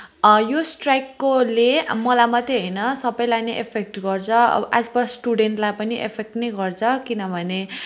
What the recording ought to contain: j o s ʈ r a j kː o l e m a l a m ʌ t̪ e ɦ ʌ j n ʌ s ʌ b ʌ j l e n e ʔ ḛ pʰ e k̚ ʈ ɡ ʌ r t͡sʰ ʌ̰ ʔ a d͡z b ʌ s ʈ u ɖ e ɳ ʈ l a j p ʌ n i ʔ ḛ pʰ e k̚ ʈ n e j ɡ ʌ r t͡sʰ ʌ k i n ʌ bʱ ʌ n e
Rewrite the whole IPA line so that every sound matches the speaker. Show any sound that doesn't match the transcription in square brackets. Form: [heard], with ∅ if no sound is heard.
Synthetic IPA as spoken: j o s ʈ r a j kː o l e m [ʌ] l a m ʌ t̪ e ɦ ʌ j n ʌ s ʌ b ʌ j l [a] n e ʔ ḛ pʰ e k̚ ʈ ɡ ʌ r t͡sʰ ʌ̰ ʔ a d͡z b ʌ s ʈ u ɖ e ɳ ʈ l a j p ʌ n i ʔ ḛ pʰ e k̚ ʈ n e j ɡ ʌ r t͡sʰ ʌ k i n ʌ bʱ ʌ n e